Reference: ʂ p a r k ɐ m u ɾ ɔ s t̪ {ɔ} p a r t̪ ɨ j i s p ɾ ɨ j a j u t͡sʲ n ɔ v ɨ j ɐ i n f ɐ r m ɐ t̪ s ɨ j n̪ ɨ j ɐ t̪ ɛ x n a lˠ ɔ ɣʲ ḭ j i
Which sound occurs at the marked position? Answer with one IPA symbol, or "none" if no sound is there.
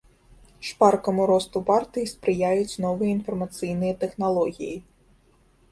u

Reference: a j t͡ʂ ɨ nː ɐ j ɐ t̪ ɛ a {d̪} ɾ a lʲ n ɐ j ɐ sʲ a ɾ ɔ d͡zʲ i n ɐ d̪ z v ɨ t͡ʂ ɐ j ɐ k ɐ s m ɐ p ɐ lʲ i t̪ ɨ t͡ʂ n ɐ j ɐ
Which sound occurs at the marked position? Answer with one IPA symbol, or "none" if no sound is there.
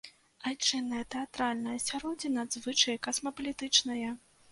t̪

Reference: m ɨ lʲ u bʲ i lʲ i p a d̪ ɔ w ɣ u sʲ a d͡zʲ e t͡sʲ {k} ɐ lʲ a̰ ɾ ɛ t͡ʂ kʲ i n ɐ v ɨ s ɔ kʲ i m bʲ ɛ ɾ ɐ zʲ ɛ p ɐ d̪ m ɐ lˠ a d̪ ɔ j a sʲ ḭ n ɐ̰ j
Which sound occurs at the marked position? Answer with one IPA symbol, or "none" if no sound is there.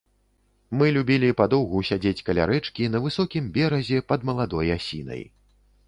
k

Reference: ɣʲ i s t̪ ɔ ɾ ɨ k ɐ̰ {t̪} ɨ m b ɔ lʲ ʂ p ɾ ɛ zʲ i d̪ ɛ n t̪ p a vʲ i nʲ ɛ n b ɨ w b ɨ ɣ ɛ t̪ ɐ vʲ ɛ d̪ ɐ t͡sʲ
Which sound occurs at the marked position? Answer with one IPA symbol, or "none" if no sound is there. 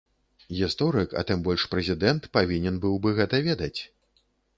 t̪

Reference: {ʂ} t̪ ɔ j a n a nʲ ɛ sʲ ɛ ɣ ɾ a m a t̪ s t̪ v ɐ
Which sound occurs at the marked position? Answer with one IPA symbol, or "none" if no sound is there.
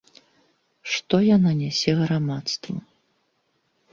ʂ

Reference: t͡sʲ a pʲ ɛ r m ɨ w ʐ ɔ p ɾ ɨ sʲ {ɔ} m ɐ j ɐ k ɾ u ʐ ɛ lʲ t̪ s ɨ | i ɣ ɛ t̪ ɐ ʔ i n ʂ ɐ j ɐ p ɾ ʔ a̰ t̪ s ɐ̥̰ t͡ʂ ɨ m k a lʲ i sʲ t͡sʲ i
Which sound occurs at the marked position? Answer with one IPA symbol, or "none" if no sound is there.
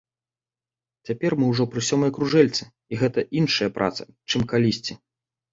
ɔ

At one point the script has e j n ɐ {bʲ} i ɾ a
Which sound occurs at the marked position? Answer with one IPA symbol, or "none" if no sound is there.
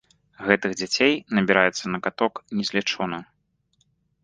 bʲ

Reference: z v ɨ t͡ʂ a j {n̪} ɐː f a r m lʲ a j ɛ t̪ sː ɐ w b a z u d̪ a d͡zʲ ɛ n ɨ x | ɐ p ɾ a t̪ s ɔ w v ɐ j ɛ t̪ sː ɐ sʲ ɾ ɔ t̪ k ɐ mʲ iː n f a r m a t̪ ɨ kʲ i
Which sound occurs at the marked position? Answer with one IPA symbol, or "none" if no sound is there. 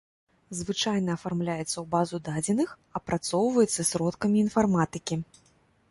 n̪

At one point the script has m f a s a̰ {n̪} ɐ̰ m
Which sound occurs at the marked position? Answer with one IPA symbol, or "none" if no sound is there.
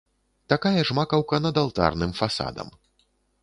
d̪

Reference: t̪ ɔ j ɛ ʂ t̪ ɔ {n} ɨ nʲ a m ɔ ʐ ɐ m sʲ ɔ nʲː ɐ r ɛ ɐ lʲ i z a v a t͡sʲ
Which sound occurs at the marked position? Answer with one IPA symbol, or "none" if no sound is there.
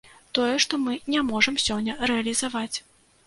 m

